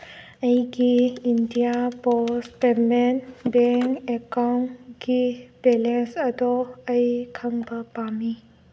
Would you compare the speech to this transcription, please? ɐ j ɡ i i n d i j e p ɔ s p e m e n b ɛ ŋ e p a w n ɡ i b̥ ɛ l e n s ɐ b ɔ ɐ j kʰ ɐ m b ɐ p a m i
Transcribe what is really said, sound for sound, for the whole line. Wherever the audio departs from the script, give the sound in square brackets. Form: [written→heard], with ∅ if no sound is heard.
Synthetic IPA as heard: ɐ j ɡ i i n d i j [e→a] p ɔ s p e m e n b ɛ ŋ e [p→k] a w n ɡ i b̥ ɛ l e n s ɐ [b→d] ɔ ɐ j kʰ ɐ [m→ŋ] b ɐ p a m i